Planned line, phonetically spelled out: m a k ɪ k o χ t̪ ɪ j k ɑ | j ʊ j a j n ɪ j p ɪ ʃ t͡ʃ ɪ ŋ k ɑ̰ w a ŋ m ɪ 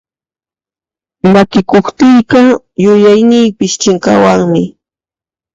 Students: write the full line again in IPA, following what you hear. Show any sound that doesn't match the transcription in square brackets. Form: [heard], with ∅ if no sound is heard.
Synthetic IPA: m a k ɪ k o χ t̪ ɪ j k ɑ | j ʊ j a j n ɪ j p ɪ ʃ t͡ʃ ɪ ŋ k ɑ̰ w a ŋ m ɪ